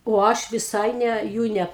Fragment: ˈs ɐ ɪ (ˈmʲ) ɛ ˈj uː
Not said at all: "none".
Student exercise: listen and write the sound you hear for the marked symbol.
nʲ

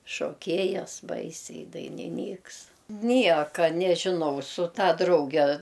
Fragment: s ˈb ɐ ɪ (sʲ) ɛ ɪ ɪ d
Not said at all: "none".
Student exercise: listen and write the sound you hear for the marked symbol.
sʲ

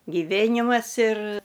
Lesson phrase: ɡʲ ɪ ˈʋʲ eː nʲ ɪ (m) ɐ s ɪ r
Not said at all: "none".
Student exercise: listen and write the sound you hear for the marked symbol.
m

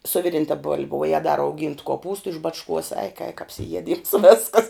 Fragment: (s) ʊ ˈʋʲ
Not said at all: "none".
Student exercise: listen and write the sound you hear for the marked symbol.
s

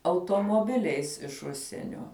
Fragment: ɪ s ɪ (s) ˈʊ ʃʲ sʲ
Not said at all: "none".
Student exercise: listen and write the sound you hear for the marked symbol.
ʃ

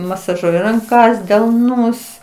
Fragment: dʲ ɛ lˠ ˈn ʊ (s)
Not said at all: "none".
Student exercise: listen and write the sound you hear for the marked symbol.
s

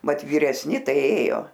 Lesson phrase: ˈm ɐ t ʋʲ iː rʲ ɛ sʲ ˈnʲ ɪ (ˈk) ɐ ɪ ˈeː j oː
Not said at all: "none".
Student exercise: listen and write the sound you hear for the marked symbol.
t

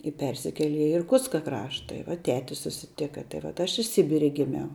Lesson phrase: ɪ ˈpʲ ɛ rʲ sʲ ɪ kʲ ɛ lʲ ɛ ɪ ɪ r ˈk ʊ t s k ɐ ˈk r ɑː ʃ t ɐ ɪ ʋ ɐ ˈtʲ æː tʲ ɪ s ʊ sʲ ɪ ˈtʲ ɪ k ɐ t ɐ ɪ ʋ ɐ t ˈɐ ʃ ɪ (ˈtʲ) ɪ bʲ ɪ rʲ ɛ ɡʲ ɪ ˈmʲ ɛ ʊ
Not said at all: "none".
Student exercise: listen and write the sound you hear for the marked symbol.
sʲ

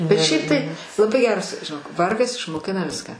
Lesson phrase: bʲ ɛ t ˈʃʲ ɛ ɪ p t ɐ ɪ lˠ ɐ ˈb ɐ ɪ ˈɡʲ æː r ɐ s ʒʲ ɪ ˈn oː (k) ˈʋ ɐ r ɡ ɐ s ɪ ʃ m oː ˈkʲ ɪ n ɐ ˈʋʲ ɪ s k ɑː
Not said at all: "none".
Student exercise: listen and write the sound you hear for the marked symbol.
k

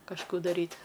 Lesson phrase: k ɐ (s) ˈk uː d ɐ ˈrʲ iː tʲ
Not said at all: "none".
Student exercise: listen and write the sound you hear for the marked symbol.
ʃ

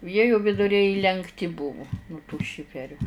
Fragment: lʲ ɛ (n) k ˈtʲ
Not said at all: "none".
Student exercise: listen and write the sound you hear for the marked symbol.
ŋ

